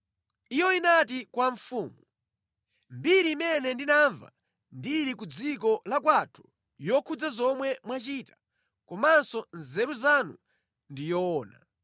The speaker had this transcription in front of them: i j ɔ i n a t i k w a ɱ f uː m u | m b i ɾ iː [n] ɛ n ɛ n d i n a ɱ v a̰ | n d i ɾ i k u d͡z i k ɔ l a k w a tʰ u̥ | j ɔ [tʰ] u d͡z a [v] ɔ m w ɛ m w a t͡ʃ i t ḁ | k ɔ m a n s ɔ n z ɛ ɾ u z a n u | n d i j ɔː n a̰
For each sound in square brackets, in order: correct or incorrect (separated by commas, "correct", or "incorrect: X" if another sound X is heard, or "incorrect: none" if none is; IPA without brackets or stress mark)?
incorrect: m, incorrect: kʰ, incorrect: z